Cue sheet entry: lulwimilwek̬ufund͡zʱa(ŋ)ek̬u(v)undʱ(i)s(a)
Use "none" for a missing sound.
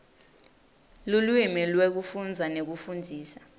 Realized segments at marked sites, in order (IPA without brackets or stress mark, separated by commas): n, f, iː, a